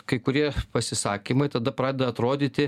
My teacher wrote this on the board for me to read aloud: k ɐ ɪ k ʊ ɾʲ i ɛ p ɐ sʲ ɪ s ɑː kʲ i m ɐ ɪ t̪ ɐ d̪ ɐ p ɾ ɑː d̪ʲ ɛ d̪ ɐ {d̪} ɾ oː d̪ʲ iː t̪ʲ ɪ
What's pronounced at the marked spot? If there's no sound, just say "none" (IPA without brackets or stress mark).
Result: t̪